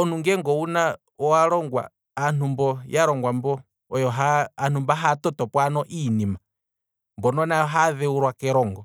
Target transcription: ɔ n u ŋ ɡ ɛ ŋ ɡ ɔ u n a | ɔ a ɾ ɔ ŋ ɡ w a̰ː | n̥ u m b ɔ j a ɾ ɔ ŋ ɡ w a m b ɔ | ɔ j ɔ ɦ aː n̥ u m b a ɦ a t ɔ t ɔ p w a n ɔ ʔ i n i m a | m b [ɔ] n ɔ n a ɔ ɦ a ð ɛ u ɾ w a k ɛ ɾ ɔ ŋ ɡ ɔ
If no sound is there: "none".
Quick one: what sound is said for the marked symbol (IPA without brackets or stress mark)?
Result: ɔ